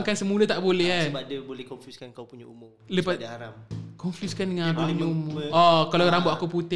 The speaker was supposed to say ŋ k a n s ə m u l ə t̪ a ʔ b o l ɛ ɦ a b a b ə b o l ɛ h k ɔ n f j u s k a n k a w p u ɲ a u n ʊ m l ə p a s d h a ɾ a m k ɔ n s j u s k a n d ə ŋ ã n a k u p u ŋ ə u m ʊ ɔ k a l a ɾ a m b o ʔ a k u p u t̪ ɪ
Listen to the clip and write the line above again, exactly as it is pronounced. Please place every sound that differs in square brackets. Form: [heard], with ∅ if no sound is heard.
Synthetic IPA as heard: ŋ k a n s ə m u l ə t̪ a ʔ b o l ɛ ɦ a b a [d] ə b o l ɛ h k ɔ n f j u s k a n k a w p u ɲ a u [m] ʊ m l ə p a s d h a ɾ a m k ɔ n [f] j u s k a n d ə ŋ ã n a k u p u [ɲ] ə u m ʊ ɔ k a l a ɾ a m b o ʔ a k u p u t̪ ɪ